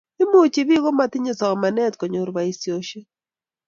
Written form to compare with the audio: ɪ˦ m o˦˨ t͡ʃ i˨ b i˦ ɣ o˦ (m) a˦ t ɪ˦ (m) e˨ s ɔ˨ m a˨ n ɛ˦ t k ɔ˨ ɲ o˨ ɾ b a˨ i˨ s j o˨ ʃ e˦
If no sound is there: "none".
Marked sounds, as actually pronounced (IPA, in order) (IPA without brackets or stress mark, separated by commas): m, ɲ